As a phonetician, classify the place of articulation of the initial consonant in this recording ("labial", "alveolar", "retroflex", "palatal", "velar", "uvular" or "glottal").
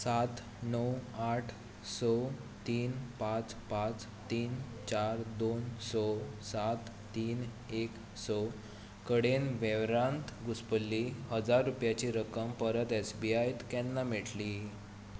alveolar